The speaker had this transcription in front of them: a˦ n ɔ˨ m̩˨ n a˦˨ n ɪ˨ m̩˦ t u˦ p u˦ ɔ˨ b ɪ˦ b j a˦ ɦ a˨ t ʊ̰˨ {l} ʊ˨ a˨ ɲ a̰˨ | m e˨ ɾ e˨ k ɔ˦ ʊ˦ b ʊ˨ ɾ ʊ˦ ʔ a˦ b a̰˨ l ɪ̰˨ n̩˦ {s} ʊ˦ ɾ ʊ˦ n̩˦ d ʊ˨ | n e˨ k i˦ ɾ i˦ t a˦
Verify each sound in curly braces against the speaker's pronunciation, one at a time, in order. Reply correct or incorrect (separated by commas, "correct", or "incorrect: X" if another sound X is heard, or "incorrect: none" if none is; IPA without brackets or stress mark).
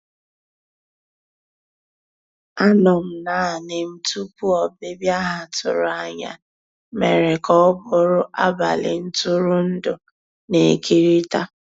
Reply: incorrect: ɾ, incorrect: t